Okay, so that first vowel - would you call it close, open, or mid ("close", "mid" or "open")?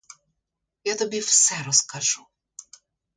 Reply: open